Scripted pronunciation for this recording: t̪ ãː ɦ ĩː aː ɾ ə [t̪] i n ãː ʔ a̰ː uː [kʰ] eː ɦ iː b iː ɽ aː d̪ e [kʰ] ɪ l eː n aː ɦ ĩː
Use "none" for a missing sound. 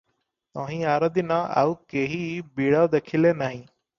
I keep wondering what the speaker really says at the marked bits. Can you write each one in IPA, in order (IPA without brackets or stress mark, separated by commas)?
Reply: d̪, k, kʰ